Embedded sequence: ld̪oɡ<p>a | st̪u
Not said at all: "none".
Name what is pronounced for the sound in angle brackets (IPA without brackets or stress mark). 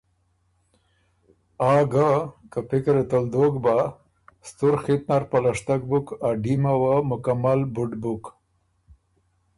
b